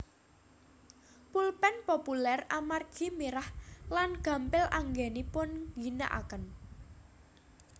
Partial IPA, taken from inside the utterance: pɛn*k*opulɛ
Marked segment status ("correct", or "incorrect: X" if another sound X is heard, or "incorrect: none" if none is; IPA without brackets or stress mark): incorrect: p